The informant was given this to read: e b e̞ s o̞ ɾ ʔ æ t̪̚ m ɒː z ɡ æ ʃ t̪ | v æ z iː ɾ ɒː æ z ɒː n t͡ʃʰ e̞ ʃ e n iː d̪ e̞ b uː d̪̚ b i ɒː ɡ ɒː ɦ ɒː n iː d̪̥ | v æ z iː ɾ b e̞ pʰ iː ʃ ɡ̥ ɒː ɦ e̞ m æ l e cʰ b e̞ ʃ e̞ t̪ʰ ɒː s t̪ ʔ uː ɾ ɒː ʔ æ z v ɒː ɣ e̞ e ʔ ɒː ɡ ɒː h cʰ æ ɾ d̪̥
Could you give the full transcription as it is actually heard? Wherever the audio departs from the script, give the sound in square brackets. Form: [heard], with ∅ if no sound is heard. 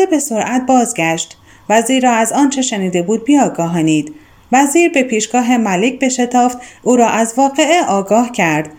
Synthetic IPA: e b e̞ s o̞ ɾ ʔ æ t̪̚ [b] ɒː z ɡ æ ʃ t̪ | v æ z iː ɾ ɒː æ z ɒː n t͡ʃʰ e̞ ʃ e n iː d̪ e̞ b uː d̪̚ b i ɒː ɡ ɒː ɦ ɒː n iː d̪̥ | v æ z iː ɾ b e̞ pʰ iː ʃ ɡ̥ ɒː ɦ e̞ m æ l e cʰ b e̞ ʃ e̞ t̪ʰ ɒː [f] t̪ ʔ uː ɾ ɒː ʔ æ z v ɒː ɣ e̞ e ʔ ɒː ɡ ɒː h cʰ æ ɾ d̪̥